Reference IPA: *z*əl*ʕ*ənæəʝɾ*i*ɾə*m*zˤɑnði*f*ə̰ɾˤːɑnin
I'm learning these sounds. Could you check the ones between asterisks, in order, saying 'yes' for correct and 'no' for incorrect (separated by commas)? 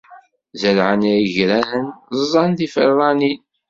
yes, yes, no, no, yes